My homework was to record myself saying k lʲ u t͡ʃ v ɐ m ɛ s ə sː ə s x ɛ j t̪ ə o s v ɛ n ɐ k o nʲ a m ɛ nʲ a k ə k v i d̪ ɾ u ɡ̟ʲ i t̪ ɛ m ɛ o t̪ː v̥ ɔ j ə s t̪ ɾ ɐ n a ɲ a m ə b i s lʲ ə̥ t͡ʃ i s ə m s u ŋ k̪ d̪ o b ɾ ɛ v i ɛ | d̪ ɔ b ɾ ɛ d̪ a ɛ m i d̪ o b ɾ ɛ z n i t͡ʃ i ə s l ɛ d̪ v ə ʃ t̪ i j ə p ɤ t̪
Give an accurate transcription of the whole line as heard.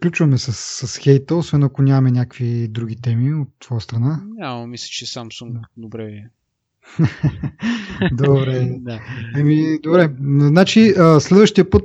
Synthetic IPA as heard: k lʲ u t͡ʃ v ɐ m ɛ s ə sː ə s x ɛ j t̪ ə o s v ɛ n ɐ k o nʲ a m ɛ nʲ a k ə k v i d̪ ɾ u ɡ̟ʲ i t̪ ɛ m i o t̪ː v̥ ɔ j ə s t̪ ɾ ɐ n a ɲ a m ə m i s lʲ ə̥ t͡ʃ ɛ s a m s u ŋ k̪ d̪ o b ɾ ɛ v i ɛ | d̪ o b ɾ ɛ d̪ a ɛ m i d̪ o b ɾ ɛ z n a t͡ʃ i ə s l ɛ d̪ v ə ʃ t̪ i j ə p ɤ t̪